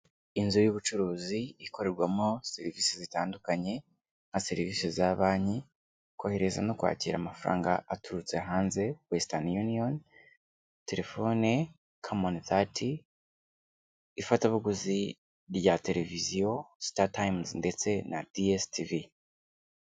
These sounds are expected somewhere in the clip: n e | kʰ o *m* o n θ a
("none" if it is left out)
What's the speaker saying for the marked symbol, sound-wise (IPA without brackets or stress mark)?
m